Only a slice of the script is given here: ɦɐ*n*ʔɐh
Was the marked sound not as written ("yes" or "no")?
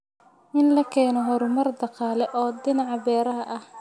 yes